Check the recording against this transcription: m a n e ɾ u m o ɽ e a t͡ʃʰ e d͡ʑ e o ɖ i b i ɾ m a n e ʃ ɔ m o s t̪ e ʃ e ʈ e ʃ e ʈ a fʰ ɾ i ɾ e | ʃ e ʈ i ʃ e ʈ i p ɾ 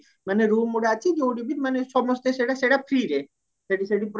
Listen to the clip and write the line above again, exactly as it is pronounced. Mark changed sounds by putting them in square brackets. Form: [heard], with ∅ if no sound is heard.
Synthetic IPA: m a n e ɾ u m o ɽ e a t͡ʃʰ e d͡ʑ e o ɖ i b i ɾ m a n e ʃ ɔ m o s t̪ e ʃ e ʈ [a] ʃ e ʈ a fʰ ɾ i ɾ e | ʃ e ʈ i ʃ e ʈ i p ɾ